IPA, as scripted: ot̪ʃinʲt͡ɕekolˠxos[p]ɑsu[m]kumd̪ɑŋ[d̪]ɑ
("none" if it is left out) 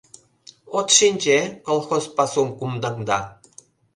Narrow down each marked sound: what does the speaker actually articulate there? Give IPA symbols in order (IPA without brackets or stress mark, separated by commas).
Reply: p, m, d̪